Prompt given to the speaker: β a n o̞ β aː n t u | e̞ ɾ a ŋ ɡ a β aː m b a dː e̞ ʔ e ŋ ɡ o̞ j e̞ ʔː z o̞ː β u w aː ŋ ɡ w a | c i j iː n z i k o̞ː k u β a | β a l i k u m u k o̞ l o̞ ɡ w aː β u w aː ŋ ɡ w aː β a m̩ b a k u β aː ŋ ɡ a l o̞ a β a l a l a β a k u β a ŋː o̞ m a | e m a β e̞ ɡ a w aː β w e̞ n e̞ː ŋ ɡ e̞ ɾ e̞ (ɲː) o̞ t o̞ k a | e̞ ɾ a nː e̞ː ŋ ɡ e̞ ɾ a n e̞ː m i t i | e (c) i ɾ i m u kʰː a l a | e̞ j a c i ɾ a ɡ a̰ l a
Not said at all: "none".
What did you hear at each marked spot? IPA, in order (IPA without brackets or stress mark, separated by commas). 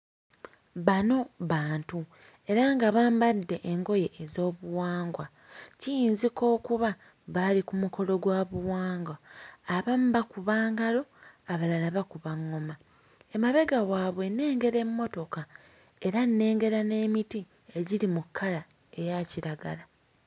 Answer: mː, ɟ